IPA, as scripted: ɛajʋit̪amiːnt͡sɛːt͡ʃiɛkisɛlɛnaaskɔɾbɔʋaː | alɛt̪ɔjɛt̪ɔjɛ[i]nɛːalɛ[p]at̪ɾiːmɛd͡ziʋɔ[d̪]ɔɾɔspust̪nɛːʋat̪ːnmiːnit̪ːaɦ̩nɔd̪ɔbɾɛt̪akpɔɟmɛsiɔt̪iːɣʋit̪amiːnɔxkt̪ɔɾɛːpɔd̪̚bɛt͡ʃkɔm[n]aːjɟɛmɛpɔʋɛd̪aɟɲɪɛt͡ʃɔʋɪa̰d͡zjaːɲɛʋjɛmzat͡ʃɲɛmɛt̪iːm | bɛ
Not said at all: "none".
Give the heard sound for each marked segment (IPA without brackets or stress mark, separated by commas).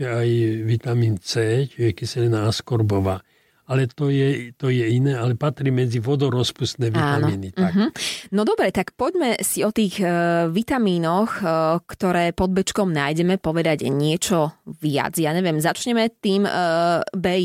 i, p, d̪, n